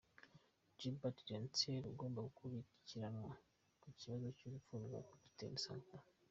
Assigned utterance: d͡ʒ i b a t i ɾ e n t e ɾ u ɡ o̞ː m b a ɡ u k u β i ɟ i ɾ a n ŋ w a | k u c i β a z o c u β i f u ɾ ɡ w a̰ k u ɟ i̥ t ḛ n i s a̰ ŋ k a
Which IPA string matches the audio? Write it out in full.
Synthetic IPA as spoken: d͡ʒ i b a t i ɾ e n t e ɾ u ɡ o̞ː m b a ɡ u k u β i c i ɾ a n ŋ w a | k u c i β a z o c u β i f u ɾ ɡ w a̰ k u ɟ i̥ t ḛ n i s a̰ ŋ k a

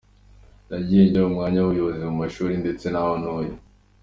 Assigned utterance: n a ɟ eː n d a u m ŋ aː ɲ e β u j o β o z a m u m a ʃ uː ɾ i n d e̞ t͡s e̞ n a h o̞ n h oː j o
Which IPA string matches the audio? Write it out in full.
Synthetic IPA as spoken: n a ɟ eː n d a u m ŋ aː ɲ a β u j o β o z i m u m a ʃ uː ɾ i n d e̞ t͡s e̞ n a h o̞ n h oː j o

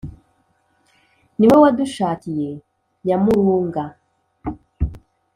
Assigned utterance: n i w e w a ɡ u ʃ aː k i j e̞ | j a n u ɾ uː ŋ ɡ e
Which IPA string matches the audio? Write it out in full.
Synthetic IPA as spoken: n i w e w a d u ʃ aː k i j e̞ | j a m u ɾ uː ŋ ɡ a

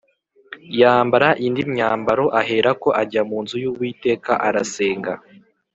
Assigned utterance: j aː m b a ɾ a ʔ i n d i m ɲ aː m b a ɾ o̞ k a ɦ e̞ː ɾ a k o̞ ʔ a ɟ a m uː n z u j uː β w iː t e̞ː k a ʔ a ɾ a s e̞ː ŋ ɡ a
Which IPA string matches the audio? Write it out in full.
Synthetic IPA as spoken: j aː m b a ɾ a ʔ i n d i m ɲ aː m b a ɾ o̞ ʔ a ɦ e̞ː ɾ a k o̞ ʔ a ɟ a m uː n z u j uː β w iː t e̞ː k a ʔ a ɾ a s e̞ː ŋ ɡ a

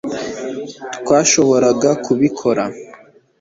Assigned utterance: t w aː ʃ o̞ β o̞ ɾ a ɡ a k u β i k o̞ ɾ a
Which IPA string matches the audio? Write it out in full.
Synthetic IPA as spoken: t w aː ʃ o̞ β o̞ ɾ a ɡ a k u β i kʰ o̞ ɾ a

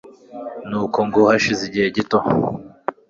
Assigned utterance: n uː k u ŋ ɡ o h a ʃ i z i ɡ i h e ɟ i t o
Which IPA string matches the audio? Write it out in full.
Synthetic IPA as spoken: n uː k o ŋ ɡ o h a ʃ i z i ɟ i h e ɟ i t o

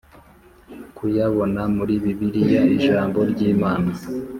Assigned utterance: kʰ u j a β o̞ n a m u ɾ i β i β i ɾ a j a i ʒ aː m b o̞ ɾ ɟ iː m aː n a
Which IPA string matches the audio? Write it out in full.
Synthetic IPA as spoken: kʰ u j a β o̞ n a m u ɾ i β i β i ɾ i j a i ʒ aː m b o̞ ɾ ɟ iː m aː n a

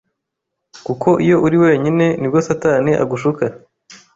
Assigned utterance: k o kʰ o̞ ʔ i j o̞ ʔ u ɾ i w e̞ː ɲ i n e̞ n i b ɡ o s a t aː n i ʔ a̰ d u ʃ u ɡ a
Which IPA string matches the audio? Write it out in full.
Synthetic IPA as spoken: k u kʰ o̞ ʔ i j o̞ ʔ u ɾ i w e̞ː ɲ i n e̞ n i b ɡ o s a t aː n i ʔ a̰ ɡ u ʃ u k a

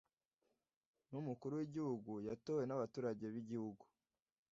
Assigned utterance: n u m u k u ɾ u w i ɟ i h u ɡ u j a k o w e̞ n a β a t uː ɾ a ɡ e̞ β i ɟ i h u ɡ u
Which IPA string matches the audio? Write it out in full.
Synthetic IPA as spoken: n u m u k u ɾ u w i ɟ i h u ɡ u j a t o w e̞ n a β a t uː ɾ a ɟ e̞ β i ɟ i h u ɡ u

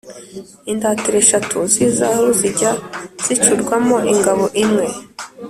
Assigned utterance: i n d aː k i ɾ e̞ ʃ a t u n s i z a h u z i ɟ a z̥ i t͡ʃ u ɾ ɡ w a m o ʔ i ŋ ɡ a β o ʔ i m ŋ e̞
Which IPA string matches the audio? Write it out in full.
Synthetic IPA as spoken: i n d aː t i ɾ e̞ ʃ a t u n z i z a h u z i ɟ a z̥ i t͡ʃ u ɾ ɡ w a m o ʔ i ŋ ɡ a β o ʔ i m ŋ e̞

